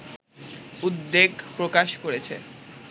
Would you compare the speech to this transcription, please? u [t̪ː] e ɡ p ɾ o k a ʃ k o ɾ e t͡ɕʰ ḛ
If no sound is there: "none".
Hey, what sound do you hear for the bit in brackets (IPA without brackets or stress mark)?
d̪ː